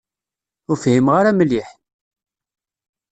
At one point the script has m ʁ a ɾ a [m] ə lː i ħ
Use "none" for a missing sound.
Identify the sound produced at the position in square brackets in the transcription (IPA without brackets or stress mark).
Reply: m